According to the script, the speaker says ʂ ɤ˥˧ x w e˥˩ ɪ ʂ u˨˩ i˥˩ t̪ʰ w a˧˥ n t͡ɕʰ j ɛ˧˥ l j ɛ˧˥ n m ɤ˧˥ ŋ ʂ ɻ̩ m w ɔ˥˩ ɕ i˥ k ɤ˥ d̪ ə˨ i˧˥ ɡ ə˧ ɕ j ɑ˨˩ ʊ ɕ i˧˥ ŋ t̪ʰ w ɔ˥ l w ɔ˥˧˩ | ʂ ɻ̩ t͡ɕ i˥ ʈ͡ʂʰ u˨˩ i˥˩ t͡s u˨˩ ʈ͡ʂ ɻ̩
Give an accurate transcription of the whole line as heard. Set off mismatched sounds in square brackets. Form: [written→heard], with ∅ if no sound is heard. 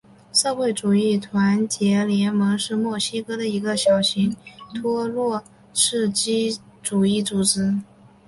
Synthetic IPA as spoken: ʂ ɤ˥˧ x w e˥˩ ɪ [ʂ→ʈ͡ʂ] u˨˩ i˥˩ t̪ʰ w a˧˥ n [t͡ɕʰ→t͡ɕ] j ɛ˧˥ l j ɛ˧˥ n m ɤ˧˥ ŋ ʂ ɻ̩ m w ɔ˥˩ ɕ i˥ k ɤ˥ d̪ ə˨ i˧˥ ɡ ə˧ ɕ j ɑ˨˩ ʊ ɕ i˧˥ ŋ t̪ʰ w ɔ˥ l w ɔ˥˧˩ | ʂ ɻ̩ t͡ɕ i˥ [ʈ͡ʂʰ→ʈ͡ʂ] u˨˩ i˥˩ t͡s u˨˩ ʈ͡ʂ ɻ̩